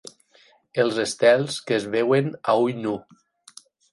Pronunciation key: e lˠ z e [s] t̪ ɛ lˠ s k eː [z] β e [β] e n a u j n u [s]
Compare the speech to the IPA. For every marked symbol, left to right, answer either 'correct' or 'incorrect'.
correct, correct, incorrect: w, incorrect: none

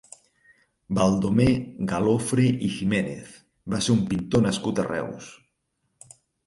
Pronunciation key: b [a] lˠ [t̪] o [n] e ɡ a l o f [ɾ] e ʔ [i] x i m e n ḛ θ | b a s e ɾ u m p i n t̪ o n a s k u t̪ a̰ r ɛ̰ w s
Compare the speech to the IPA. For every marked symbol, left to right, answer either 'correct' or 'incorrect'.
correct, incorrect: d̪, incorrect: m, correct, correct

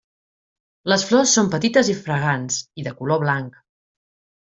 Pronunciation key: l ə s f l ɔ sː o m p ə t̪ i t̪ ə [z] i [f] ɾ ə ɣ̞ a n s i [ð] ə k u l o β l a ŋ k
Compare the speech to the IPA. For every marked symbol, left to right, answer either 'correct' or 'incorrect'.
correct, correct, correct

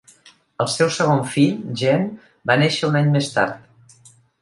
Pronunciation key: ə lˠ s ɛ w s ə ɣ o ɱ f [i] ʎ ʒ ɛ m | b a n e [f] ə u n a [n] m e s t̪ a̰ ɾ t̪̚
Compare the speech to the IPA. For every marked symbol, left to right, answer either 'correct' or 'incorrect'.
correct, incorrect: ʃ, incorrect: ɲ

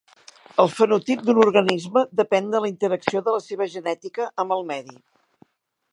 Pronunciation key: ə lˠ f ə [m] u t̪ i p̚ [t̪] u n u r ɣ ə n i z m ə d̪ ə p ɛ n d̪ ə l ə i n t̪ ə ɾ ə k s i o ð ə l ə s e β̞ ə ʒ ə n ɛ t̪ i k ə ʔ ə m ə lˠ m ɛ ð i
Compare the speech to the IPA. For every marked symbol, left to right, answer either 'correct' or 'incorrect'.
incorrect: n, incorrect: d̪

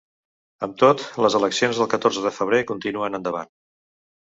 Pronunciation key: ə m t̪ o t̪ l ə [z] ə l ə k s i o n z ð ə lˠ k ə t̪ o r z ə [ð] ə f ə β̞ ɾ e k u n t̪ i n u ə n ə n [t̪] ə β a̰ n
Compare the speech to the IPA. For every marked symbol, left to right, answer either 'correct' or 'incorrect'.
correct, correct, incorrect: d̪

